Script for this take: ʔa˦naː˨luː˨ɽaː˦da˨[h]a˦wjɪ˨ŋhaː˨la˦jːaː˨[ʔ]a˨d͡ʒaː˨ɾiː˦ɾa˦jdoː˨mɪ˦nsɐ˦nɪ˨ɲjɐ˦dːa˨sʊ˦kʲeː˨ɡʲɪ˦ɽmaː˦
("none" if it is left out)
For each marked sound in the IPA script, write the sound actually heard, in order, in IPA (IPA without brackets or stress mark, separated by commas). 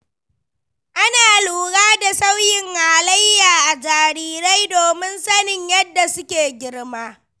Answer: s, ʔ